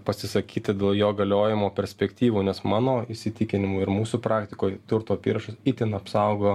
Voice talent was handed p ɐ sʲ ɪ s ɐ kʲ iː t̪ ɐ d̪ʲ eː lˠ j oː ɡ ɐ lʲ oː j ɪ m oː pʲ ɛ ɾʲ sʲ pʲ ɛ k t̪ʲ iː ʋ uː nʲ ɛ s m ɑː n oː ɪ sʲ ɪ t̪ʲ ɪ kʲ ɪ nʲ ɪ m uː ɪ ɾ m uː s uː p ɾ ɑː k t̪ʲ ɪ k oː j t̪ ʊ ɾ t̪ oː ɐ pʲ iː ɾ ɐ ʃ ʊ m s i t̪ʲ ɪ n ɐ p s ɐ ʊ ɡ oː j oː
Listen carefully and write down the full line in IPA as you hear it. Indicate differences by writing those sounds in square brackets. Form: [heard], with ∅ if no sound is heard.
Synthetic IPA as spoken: p ɐ sʲ ɪ s ɐ kʲ iː t̪ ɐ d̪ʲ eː lˠ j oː ɡ ɐ lʲ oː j ɪ m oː pʲ ɛ ɾʲ sʲ pʲ ɛ k t̪ʲ iː ʋ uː nʲ ɛ s m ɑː n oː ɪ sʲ ɪ t̪ʲ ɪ kʲ ɪ nʲ ɪ m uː ɪ ɾ m uː s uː p ɾ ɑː k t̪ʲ ɪ k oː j t̪ ʊ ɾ t̪ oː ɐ pʲ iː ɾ ɐ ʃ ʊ [∅] s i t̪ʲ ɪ n ɐ p s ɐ ʊ ɡ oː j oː

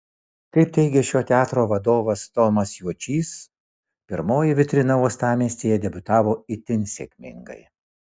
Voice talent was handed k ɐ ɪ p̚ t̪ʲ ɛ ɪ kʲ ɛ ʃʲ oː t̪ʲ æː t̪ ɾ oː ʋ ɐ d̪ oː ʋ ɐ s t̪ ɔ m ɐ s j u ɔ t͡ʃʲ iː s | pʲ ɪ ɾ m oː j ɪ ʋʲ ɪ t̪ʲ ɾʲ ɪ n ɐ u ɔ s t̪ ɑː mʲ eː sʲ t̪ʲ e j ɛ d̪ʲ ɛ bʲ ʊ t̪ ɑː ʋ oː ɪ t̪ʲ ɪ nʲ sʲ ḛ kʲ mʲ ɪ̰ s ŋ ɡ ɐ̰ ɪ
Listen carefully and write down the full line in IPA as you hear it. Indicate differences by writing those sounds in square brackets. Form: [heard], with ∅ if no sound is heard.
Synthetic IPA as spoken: k ɐ ɪ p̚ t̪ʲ ɛ ɪ [ɡʲ] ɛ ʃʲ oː t̪ʲ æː t̪ ɾ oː ʋ ɐ d̪ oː ʋ ɐ s t̪ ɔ m ɐ s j u ɔ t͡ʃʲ iː s | pʲ ɪ ɾ m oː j ɪ ʋʲ ɪ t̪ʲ ɾʲ ɪ n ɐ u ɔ s t̪ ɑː mʲ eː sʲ t̪ʲ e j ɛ d̪ʲ ɛ bʲ ʊ t̪ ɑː ʋ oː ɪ t̪ʲ ɪ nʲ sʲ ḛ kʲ mʲ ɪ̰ [∅] ŋ ɡ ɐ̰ ɪ

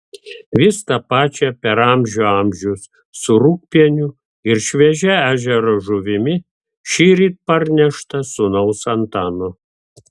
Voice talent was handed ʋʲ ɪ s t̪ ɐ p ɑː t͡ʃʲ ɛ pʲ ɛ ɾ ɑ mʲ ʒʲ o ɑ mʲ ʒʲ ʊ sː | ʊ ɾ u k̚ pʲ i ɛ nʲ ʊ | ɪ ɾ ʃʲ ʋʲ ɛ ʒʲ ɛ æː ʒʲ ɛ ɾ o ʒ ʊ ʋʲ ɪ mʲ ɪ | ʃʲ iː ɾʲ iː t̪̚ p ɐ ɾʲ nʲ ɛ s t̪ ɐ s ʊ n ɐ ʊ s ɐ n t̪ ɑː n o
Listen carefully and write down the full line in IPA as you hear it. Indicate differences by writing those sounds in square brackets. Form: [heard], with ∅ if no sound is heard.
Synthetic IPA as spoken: ʋʲ ɪ s t̪ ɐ p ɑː t͡ʃʲ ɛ pʲ ɛ ɾ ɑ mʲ ʒʲ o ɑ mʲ ʒʲ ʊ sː | ʊ ɾ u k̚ pʲ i ɛ nʲ ʊ | ɪ ɾ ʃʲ ʋʲ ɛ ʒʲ ɛ æː ʒʲ ɛ ɾ o ʒ ʊ ʋʲ ɪ mʲ ɪ | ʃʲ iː ɾʲ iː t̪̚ p ɐ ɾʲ nʲ ɛ [ʃ] t̪ ɐ s ʊ n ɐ ʊ s ɐ n t̪ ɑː n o

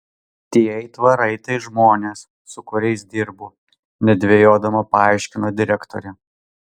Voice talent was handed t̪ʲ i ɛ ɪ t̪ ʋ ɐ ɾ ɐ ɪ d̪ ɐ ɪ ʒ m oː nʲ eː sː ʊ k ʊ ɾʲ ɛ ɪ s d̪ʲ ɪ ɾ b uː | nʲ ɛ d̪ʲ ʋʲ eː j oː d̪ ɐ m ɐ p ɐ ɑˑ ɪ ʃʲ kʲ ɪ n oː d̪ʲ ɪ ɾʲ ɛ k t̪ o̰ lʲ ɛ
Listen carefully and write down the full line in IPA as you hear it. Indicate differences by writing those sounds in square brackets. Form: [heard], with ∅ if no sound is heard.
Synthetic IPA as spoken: t̪ʲ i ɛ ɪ t̪ ʋ ɐ ɾ ɐ ɪ [t̪] ɐ ɪ ʒ m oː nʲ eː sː ʊ k ʊ ɾʲ ɛ ɪ s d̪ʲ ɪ ɾ b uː | nʲ ɛ d̪ʲ ʋʲ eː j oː d̪ ɐ m ɐ p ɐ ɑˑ ɪ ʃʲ kʲ ɪ n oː d̪ʲ ɪ ɾʲ ɛ k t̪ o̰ [ɾʲ] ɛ

